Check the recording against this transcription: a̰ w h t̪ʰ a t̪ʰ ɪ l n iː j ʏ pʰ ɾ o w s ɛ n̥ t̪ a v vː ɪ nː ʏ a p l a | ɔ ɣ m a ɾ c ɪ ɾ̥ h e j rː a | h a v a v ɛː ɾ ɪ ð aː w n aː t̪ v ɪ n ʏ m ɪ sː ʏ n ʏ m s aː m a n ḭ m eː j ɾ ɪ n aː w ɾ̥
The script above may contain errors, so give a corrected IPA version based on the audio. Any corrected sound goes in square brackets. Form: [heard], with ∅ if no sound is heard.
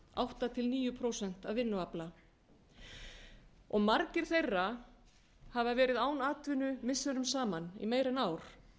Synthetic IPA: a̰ w h [t̪] a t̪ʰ ɪ l n iː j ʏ pʰ ɾ o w s ɛ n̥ t̪ a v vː ɪ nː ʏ a p l a | ɔ ɣ m a ɾ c ɪ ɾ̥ [θ] e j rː a | h a v a v ɛː ɾ ɪ ð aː w n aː t̪ v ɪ n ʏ m ɪ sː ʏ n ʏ m s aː m a n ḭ m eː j ɾ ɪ n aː w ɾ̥